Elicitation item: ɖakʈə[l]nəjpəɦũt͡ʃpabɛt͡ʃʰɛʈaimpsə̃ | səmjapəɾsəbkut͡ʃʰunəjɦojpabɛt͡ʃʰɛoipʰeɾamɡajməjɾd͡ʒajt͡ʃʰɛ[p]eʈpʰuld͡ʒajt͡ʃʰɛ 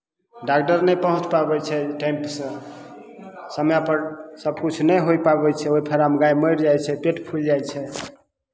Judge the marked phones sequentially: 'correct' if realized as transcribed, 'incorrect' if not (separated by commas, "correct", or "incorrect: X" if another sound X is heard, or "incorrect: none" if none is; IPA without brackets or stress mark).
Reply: incorrect: ɾ, correct